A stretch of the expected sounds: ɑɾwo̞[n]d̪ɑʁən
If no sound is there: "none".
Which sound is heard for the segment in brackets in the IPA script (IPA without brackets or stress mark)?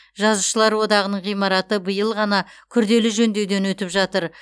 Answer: none